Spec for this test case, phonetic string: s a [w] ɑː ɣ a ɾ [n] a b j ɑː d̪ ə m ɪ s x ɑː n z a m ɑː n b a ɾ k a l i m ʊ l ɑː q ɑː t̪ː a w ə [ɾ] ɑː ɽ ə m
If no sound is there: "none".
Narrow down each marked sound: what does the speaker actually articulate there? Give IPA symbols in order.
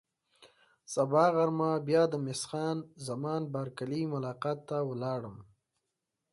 b, m, l

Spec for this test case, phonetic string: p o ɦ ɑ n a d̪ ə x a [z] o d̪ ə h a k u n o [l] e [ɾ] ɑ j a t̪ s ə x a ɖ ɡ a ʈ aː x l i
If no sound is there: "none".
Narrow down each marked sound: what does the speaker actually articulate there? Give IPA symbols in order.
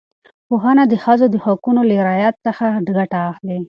z, l, ɾ

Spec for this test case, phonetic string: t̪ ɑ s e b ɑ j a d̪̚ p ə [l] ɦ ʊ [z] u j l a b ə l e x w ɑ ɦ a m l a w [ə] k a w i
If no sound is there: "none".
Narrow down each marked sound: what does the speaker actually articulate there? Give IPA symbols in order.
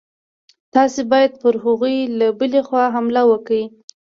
ɾ, ɣ, ə

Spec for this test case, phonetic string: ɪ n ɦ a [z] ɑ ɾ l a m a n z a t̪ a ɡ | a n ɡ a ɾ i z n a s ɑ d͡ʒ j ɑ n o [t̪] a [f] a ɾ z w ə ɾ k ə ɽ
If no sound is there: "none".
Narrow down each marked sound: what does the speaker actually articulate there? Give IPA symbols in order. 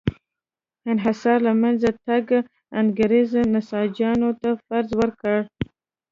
s, t̪, f

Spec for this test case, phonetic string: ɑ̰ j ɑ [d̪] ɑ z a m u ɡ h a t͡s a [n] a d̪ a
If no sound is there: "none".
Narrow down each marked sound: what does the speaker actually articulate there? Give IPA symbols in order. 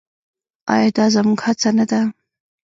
d̪, n

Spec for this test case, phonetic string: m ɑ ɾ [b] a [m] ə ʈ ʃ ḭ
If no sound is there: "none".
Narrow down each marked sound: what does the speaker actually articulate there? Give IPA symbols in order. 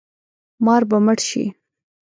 b, m

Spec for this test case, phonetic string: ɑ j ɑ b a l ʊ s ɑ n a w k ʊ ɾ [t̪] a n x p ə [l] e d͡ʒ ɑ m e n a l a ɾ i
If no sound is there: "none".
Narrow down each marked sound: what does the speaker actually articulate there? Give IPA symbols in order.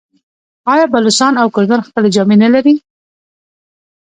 d̪, l

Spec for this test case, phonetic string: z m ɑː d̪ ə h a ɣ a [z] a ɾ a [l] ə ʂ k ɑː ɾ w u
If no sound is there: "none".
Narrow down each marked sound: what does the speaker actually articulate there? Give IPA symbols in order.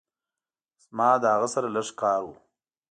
s, l

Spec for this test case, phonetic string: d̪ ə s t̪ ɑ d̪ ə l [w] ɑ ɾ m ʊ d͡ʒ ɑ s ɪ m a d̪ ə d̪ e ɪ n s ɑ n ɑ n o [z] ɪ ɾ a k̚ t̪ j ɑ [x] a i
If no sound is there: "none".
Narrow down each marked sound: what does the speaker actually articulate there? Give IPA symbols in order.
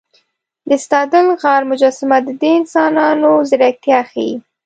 ɣ, z, x

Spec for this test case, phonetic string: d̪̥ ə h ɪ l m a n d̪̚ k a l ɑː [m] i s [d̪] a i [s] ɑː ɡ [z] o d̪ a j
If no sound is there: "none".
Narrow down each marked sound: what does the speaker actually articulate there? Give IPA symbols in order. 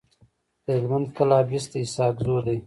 b, t̪, s, z

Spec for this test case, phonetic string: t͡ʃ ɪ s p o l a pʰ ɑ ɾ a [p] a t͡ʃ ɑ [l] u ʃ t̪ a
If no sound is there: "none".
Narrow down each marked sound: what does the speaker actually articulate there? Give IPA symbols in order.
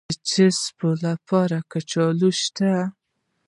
k, l

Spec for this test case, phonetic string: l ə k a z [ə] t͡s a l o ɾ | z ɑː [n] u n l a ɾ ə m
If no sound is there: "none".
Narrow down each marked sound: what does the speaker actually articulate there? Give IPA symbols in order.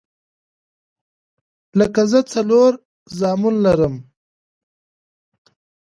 ə, m

